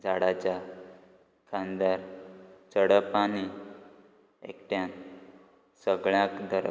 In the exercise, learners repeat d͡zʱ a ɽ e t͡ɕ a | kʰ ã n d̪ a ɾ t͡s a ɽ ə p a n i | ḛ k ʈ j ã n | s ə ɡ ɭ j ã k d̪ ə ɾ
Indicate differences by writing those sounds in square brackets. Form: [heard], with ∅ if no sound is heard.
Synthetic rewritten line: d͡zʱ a ɽ [a] t͡ɕ a | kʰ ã n d̪ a ɾ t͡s [ə] ɽ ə p a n i | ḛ k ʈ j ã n | s ə ɡ ɭ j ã k d̪ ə ɾ